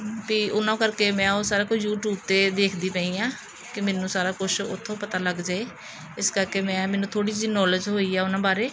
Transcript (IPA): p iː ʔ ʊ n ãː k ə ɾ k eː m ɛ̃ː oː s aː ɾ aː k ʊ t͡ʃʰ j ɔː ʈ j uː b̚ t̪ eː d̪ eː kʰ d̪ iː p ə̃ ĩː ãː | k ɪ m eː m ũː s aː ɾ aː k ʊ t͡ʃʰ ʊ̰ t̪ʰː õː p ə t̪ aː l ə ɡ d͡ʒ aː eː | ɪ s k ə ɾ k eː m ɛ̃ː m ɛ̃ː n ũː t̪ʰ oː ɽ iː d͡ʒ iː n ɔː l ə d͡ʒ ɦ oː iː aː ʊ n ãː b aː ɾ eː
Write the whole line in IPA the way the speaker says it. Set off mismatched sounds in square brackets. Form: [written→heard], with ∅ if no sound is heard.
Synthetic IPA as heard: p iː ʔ ʊ n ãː k ə ɾ k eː m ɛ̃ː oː s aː ɾ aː k ʊ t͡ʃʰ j [ɔː→uː] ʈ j uː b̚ t̪ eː d̪ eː kʰ d̪ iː p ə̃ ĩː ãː | k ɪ m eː [m→n] ũː s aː ɾ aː k ʊ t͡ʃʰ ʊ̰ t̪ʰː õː p ə t̪ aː l ə ɡ d͡ʒ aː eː | ɪ s k ə ɾ k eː m ɛ̃ː m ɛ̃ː n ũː t̪ʰ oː ɽ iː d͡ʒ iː n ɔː l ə d͡ʒ ɦ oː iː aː ʊ n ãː b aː ɾ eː